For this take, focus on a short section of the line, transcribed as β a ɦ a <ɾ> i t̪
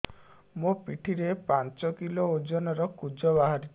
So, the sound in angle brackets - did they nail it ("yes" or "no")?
yes